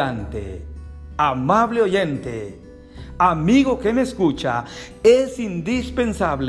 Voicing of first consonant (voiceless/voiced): voiced